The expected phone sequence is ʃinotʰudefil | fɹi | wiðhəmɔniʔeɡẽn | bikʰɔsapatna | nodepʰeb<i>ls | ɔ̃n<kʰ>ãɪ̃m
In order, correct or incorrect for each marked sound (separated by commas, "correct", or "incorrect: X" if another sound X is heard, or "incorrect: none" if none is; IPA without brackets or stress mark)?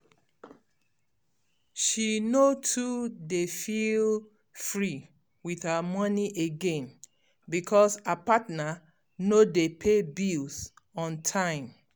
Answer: correct, incorrect: tʰ